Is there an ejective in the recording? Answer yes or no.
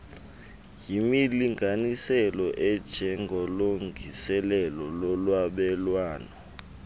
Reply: no